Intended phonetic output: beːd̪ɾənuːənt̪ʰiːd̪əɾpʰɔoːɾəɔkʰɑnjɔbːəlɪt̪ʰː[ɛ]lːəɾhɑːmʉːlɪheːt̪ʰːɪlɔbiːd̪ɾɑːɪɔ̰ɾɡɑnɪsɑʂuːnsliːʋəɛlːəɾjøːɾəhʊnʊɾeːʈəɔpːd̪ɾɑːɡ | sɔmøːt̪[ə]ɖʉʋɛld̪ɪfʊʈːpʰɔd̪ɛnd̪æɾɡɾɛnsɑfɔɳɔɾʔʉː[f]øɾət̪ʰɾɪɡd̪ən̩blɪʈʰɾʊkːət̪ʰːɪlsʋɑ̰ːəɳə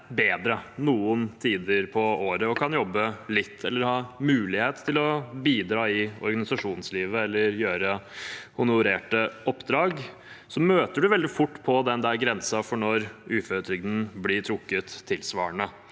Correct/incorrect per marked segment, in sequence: correct, correct, correct

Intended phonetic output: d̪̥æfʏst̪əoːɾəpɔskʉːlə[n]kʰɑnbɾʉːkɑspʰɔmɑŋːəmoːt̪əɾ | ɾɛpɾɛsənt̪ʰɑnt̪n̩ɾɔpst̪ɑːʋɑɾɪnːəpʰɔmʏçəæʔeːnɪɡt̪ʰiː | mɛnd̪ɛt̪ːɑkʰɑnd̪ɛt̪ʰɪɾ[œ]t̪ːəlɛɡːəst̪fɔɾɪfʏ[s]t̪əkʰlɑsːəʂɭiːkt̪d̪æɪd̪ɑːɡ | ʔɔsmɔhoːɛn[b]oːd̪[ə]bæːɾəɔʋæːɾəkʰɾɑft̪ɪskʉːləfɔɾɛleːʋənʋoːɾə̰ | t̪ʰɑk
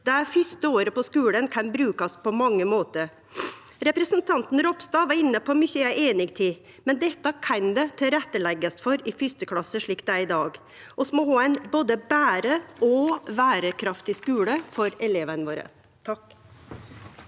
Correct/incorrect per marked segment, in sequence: correct, incorrect, correct, correct, correct

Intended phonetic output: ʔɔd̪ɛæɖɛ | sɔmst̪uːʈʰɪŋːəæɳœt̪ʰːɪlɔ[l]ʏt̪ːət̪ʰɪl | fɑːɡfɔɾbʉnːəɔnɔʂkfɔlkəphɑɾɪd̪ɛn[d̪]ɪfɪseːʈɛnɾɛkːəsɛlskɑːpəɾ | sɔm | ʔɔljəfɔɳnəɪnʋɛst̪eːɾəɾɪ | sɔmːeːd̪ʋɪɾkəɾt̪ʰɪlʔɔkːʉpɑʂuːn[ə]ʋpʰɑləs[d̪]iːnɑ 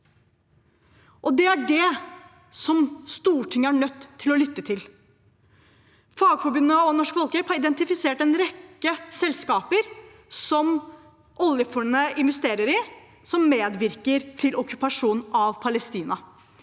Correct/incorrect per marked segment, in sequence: correct, incorrect, incorrect, incorrect

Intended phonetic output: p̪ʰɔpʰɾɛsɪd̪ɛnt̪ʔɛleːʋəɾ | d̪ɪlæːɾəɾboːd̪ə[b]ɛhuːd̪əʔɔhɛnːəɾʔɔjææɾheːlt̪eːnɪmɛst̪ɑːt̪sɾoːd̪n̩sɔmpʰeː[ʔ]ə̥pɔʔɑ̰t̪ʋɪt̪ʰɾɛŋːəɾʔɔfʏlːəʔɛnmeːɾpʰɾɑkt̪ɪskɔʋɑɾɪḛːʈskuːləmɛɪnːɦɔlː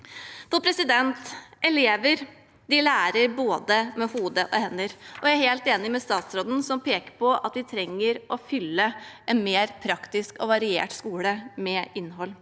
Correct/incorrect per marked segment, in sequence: incorrect, incorrect

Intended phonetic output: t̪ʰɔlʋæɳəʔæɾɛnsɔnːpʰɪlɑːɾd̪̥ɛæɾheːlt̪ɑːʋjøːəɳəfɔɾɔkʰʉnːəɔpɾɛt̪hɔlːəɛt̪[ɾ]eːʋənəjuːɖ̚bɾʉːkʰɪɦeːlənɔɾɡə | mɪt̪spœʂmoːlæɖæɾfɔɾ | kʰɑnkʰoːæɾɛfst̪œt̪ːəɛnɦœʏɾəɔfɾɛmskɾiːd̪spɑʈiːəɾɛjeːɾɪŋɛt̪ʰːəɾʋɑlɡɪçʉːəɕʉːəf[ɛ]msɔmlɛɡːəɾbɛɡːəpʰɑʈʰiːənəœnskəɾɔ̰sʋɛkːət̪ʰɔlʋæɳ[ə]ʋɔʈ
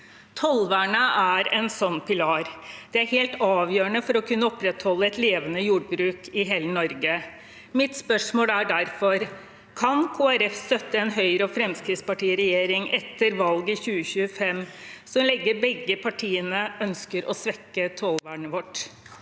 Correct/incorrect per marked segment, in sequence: incorrect, correct, correct

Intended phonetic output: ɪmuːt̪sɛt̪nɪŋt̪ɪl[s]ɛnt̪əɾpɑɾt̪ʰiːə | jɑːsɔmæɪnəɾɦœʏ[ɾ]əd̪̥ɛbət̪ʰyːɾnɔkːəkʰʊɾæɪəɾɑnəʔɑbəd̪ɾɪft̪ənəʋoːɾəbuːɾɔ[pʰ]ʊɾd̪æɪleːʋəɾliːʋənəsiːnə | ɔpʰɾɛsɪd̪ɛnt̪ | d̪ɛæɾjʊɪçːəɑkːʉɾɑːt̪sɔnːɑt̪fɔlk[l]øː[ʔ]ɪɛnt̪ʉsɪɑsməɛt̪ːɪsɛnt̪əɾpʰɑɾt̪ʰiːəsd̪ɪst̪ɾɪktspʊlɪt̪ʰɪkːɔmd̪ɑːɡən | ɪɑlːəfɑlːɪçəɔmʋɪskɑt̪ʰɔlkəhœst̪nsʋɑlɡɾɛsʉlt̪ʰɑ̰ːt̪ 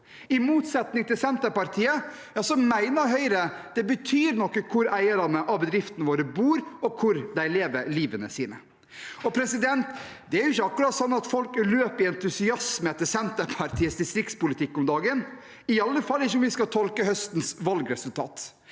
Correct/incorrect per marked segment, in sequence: correct, correct, incorrect, correct, incorrect

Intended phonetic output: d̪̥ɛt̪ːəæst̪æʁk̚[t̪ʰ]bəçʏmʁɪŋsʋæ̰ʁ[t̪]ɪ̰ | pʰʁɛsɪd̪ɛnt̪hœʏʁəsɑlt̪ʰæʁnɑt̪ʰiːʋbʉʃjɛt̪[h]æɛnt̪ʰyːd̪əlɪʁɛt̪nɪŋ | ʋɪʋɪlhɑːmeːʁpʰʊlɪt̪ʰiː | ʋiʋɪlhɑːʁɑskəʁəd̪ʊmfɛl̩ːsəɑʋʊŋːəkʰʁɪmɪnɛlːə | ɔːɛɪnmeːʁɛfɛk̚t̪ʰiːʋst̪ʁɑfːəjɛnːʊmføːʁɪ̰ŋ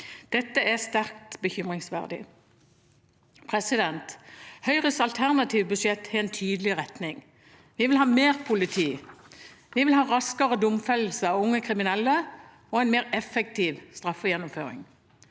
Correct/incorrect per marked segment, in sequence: incorrect, incorrect, correct

